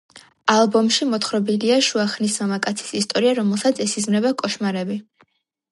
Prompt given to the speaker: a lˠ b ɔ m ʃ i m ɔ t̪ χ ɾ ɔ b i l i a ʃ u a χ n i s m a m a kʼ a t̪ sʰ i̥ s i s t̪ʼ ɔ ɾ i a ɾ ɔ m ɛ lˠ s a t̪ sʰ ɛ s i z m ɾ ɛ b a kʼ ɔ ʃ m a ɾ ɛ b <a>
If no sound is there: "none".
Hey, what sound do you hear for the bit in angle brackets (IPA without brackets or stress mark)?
i